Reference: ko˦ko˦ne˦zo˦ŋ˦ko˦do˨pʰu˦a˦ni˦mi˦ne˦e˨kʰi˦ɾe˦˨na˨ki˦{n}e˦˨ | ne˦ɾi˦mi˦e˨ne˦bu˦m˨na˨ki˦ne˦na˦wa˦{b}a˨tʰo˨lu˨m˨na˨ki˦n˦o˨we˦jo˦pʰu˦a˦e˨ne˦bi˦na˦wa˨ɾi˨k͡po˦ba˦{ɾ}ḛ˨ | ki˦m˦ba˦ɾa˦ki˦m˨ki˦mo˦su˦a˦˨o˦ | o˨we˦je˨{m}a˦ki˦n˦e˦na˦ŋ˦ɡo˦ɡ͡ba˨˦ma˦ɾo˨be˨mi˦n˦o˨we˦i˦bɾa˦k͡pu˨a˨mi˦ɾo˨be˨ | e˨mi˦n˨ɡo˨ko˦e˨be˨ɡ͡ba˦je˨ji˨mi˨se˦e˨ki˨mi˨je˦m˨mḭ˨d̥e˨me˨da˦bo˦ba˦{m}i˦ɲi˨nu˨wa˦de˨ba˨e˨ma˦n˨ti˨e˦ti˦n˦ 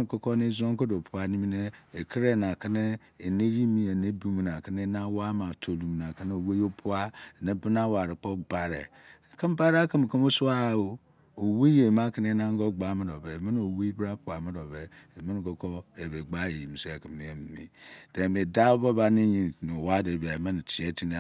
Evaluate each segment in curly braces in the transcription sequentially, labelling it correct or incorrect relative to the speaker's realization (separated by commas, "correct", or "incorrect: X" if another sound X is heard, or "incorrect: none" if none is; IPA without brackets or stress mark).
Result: correct, incorrect: m, correct, correct, incorrect: n